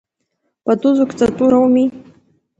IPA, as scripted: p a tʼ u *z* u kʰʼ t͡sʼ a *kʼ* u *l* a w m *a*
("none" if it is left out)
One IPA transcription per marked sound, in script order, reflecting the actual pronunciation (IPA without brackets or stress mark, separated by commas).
z, tʼ, ɾ, i